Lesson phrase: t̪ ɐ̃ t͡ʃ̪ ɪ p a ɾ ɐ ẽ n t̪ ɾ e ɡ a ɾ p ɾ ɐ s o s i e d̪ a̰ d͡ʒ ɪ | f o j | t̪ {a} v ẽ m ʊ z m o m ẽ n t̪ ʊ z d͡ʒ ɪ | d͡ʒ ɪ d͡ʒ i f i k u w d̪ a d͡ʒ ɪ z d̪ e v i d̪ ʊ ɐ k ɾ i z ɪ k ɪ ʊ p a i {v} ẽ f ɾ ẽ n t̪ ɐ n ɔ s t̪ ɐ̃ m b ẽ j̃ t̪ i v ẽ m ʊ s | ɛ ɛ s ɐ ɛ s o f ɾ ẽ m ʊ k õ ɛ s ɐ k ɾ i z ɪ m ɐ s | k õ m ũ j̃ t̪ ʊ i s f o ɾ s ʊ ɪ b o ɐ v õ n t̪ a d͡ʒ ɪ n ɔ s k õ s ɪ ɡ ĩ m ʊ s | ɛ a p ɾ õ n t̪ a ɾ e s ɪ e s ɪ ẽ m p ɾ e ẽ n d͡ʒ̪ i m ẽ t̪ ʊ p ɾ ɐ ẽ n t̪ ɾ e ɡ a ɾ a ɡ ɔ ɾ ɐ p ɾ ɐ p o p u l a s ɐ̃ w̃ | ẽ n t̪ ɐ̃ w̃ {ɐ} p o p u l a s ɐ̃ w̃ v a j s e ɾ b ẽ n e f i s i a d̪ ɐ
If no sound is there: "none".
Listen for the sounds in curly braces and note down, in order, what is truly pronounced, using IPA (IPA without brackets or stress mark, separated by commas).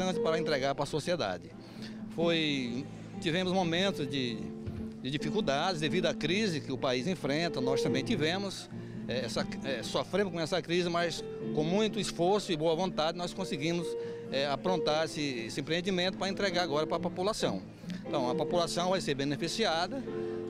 i, z, ɐ